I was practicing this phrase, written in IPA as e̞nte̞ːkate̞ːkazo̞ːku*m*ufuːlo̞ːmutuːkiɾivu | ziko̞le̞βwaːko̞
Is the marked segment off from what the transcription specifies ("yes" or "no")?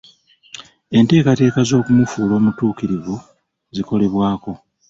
no